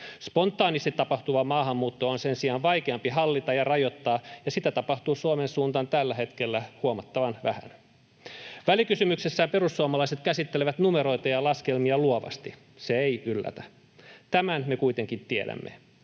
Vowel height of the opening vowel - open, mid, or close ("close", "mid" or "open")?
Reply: mid